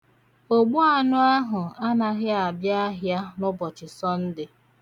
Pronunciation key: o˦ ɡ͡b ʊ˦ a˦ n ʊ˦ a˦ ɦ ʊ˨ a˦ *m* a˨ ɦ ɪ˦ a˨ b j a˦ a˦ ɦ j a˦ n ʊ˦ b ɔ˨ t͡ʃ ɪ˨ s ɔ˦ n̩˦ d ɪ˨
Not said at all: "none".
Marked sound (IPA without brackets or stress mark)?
n